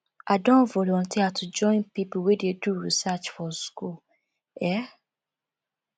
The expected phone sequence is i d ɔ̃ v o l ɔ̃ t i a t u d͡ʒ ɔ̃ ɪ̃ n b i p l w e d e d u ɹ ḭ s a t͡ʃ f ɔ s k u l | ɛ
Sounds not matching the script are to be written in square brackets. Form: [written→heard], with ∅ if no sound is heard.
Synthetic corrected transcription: [i→a] d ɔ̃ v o l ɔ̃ t i a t u d͡ʒ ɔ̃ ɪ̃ n [b→p] i p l w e d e d u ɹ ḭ s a t͡ʃ f ɔ s k u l | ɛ